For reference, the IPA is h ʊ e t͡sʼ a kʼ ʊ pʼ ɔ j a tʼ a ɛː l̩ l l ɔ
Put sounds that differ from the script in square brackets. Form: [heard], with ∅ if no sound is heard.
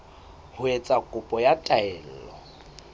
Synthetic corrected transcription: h ʊ e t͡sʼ a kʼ ʊ pʼ ɔ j a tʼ a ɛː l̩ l l ɔ